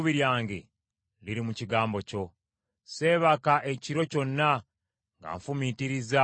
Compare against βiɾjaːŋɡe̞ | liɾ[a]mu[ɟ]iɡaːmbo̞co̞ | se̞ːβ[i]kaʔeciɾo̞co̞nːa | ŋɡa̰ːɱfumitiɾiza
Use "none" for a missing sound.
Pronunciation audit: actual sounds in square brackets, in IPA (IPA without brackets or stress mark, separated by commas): i, c, a